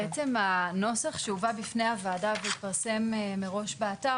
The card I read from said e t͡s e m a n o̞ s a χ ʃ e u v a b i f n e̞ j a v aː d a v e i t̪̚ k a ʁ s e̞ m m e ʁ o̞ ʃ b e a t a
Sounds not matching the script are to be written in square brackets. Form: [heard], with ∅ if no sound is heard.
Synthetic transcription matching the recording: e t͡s e m a n o̞ s a χ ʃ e u v a b i f n e̞ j a v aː d a v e i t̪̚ [p] a ʁ s e̞ m m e ʁ o̞ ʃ b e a t a